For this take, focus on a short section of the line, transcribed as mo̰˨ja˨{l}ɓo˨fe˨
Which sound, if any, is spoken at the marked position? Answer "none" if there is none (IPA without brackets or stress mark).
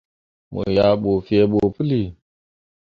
none